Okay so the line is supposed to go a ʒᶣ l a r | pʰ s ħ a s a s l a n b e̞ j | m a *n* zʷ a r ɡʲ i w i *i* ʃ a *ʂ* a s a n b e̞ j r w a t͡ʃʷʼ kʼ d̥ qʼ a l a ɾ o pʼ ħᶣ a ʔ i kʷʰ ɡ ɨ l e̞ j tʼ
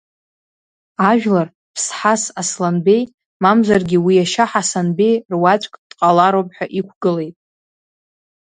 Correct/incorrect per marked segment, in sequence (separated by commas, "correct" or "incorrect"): incorrect, incorrect, incorrect